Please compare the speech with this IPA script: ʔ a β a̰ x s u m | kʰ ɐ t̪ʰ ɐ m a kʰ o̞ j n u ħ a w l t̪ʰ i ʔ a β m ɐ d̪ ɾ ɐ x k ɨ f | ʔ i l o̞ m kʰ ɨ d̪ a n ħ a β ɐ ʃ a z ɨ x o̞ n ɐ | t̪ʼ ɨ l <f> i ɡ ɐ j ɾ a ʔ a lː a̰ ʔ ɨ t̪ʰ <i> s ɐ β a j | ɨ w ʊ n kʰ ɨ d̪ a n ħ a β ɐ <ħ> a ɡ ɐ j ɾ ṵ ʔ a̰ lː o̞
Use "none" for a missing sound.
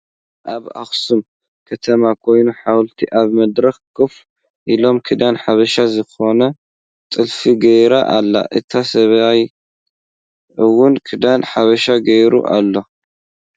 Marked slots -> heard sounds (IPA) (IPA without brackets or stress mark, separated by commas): f, a, ʃ